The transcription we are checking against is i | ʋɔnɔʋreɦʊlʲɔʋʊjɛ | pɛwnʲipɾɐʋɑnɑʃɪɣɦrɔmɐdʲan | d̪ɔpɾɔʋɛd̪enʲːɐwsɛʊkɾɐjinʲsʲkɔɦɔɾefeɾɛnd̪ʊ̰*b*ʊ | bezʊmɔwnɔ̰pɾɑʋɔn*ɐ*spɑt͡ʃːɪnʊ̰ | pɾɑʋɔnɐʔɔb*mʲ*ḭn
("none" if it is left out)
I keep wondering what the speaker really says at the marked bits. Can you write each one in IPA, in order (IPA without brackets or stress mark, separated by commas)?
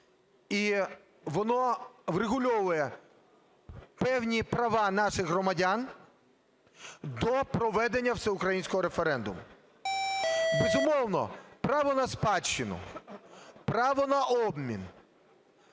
m, ɐ, mʲ